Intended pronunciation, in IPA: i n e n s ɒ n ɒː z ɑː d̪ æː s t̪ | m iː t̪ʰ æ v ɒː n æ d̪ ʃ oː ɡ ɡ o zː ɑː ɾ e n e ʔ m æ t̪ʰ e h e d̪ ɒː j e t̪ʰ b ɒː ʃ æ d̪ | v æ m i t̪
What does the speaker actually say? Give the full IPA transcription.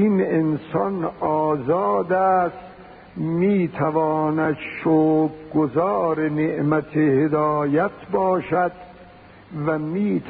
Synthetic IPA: i n e n s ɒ n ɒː z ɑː d̪ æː s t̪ | m iː t̪ʰ æ v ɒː n æ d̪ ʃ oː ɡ ɡ o z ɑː ɾ e n e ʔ m æ t̪ʰ e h e d̪ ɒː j æ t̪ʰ b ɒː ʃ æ d̪ | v æ m iː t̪